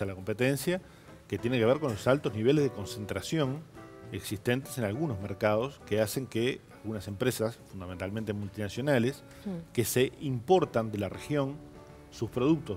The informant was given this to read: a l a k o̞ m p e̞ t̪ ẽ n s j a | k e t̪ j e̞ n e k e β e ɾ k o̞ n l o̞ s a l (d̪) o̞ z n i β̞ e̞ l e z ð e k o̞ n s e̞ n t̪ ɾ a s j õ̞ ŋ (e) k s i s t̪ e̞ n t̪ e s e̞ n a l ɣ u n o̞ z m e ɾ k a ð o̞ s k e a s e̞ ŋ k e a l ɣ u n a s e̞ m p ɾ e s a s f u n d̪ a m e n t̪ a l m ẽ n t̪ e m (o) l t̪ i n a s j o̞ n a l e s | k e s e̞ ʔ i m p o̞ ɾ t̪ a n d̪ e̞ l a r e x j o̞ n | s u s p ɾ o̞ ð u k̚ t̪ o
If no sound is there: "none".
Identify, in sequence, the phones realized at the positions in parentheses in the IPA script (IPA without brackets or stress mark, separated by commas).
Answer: t̪, e, u